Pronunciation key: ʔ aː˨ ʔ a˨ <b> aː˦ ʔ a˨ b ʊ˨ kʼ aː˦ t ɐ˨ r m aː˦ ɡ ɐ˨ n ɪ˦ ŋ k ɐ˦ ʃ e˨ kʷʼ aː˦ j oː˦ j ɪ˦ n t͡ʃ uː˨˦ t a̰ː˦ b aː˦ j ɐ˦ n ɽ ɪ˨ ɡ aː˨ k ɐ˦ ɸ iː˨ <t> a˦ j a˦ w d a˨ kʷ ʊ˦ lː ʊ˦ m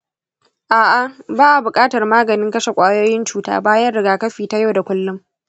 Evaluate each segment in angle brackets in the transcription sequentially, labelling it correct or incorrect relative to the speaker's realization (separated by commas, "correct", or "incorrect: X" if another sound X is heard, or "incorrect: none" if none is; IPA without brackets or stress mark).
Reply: correct, correct